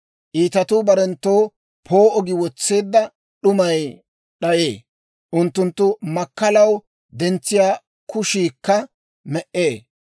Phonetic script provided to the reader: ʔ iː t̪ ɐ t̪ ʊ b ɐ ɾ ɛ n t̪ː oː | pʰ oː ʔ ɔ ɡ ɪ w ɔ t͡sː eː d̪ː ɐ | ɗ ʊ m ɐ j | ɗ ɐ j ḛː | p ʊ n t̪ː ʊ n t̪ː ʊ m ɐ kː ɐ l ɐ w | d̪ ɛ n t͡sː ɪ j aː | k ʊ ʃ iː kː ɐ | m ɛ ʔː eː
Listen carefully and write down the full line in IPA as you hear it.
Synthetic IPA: ʔ iː t̪ ɐ t̪ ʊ b ɐ ɾ ɛ n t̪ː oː | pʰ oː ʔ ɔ ɡ ɪ w ɔ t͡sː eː d̪ː ɐ | ɗ ʊ m ɐ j | ɗ ɐ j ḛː | ʔ ʊ n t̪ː ʊ n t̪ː ʊ m ɐ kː ɐ l ɐ w | d̪ ɛ n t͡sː ɪ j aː | k ʊ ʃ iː kː ɐ | m ɛ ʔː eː